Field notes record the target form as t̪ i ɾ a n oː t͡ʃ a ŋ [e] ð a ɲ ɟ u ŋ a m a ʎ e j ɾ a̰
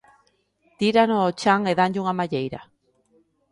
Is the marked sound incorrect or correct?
correct